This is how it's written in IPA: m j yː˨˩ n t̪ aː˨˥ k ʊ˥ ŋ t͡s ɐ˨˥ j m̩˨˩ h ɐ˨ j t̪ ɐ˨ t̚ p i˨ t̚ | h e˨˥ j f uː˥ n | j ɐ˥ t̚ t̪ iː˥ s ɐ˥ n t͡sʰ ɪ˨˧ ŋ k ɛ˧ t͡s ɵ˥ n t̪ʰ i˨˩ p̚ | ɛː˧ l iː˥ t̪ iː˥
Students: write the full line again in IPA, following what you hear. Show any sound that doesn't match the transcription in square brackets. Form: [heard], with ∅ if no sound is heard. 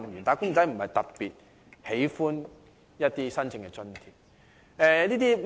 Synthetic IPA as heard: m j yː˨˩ n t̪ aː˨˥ k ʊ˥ ŋ t͡s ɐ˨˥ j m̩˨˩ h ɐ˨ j t̪ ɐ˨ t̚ p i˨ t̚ | h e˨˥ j f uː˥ n | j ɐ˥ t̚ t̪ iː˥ s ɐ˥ n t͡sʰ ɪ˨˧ ŋ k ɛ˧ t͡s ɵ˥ n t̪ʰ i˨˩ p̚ | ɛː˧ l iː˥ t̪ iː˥